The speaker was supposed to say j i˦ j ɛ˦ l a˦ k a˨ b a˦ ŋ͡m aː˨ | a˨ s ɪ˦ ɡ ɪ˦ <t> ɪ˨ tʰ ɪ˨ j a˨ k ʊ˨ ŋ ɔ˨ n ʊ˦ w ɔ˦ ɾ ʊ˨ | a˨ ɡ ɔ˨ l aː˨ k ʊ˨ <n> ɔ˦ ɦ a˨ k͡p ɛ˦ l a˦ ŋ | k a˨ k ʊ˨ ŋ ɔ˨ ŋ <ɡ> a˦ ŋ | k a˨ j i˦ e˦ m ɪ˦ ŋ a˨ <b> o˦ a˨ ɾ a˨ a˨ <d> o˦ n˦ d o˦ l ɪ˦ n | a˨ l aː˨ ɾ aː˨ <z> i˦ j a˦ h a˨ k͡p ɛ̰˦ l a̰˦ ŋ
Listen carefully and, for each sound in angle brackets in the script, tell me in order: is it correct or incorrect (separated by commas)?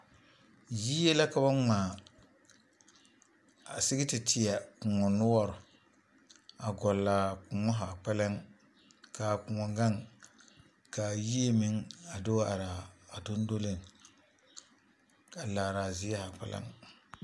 correct, incorrect, correct, incorrect, correct, correct